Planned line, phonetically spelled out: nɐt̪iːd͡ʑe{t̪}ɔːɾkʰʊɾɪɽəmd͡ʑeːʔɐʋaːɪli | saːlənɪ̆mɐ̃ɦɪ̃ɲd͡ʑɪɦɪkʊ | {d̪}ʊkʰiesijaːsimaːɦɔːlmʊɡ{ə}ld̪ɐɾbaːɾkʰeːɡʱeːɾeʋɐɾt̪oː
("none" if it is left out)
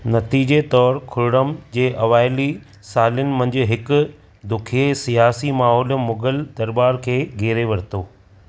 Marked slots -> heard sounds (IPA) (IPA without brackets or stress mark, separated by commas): t̪, d̪, ə